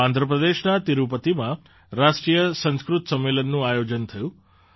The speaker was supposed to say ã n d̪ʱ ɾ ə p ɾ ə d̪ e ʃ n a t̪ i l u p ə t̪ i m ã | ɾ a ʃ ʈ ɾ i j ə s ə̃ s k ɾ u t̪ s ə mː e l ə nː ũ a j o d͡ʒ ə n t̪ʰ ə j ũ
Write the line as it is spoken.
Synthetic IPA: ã n d̪ʱ ɾ ə p ɾ ə d̪ e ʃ n a t̪ i ɾ u p ə t̪ i m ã | ɾ a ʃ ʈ ɾ i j ə s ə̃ s k ɾ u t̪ s ə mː e l ə nː ũ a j o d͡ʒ ə n t̪ʰ ə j ũ